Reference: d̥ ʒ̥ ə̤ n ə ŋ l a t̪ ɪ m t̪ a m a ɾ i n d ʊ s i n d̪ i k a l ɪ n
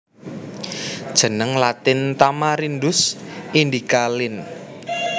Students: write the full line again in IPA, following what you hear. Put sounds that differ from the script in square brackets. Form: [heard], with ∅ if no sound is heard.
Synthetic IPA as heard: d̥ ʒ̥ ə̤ n ə ŋ l a t̪ ɪ [n] t̪ a m a ɾ i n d ʊ s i n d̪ i k a l ɪ n